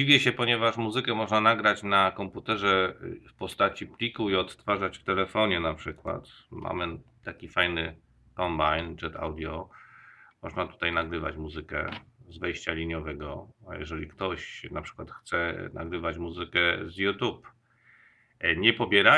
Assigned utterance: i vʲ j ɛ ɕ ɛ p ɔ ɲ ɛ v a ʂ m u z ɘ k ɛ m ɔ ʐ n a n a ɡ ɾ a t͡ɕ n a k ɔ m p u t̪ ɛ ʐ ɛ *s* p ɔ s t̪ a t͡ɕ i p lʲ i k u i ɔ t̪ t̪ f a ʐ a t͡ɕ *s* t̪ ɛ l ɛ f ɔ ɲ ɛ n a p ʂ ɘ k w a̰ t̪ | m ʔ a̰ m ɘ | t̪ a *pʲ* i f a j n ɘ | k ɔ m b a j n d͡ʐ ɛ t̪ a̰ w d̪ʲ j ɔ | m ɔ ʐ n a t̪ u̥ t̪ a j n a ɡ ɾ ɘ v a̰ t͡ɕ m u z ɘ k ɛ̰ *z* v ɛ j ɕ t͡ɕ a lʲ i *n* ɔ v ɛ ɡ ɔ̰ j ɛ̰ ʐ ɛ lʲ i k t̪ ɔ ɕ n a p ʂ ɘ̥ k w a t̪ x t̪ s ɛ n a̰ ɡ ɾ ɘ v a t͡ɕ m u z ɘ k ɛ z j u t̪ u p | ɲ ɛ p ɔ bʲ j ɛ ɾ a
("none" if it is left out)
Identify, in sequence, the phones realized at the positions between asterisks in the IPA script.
f, f, kʲ, z, ɲ

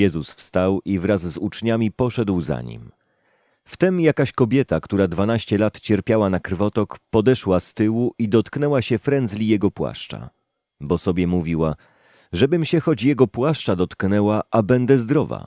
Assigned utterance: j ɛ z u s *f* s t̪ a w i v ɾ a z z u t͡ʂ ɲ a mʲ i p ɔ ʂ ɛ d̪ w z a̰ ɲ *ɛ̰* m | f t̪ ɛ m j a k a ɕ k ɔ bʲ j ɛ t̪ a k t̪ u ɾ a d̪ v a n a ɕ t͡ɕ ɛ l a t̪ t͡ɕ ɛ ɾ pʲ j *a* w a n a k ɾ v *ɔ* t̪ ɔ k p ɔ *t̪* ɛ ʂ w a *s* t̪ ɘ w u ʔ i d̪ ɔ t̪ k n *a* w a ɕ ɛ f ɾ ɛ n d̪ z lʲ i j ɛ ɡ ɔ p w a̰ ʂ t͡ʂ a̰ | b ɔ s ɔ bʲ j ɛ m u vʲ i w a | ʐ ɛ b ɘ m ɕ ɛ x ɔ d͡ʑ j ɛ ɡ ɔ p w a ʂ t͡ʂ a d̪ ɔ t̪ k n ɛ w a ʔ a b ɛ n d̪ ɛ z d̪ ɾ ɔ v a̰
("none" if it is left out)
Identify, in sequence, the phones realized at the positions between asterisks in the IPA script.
f, ḭ, a, ɔ, d̪, s, ɛ

